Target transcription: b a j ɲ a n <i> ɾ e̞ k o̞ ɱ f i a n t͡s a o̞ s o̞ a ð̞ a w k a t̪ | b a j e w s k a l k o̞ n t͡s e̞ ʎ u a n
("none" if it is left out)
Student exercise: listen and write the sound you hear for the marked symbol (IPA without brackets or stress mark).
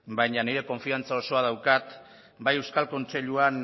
i